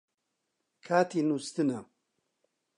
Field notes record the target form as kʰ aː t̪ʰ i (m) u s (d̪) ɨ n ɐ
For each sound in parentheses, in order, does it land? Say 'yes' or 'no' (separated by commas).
no, no